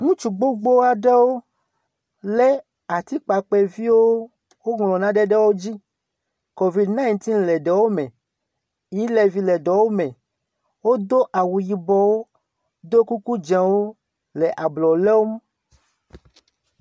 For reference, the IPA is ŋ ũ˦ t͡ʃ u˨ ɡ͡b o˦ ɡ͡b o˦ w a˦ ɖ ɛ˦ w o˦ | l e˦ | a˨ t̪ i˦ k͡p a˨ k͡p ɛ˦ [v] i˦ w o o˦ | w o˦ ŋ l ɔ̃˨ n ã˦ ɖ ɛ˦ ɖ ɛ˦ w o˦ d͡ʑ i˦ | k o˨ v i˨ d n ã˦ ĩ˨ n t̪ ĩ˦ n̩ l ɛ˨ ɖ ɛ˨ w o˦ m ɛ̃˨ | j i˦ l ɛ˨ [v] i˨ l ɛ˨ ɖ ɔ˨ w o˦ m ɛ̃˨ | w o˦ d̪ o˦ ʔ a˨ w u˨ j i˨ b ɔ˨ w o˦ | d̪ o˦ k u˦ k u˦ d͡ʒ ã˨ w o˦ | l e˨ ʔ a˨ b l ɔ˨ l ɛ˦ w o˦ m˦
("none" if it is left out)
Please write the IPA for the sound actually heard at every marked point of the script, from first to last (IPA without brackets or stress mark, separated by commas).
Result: v, v